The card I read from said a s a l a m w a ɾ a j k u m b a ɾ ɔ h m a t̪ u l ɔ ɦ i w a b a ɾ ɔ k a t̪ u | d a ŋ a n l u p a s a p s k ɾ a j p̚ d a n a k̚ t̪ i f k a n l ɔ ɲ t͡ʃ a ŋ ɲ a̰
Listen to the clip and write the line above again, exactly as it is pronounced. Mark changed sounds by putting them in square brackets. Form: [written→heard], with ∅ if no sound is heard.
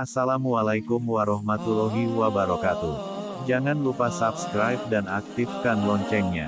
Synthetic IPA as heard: a s a l a m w a [ɾ→l] a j k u m [b→w] a ɾ ɔ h m a t̪ u l ɔ ɦ i w a b a ɾ ɔ k a t̪ u | [d→d͡ʒ] a ŋ a n l u p a s a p s k ɾ a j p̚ d a n a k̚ t̪ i f k a n l ɔ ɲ t͡ʃ [a→ɛ] ŋ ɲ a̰